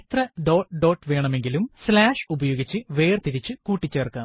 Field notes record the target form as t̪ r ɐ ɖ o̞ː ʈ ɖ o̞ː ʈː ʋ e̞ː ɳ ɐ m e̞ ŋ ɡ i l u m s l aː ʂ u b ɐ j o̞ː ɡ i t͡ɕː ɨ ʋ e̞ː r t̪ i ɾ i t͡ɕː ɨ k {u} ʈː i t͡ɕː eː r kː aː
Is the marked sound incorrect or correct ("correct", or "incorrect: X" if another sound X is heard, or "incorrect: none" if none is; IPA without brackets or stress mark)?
incorrect: uː